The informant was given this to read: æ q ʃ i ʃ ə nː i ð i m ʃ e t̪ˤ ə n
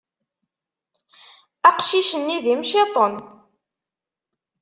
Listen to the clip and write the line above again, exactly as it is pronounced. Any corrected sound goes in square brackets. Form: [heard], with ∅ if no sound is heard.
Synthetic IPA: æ q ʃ i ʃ ə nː i ð i m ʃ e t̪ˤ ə n

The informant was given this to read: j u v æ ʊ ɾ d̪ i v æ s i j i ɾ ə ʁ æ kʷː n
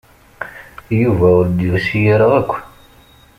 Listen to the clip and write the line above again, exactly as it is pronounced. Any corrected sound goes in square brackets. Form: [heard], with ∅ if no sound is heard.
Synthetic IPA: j u v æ ʊ ɾ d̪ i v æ s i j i ɾ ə ʁ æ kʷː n

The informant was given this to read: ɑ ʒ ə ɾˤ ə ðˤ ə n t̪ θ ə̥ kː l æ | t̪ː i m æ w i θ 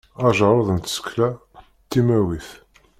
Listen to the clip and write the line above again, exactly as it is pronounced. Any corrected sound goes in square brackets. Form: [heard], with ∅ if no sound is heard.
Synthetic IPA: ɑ ʒ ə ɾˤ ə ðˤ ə n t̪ [s] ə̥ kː l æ | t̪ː i m æ w i θ

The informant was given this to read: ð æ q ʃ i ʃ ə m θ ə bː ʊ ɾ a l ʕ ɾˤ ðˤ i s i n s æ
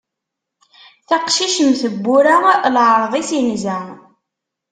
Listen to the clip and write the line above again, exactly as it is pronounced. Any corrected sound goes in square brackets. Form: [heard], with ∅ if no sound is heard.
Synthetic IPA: [θ] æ q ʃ i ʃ ə m θ ə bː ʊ ɾ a l ʕ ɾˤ ðˤ i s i n [z] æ

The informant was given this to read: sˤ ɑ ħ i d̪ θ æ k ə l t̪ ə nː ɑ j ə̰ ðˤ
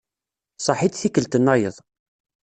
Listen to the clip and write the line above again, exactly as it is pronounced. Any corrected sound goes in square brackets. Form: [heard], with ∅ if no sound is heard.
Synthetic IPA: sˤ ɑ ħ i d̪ θ [i] k ə l t̪ ə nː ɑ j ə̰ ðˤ

